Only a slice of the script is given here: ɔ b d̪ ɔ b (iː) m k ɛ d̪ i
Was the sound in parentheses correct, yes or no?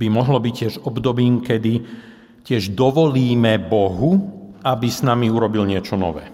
yes